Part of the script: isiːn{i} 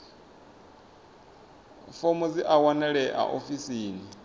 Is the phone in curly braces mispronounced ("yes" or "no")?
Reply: no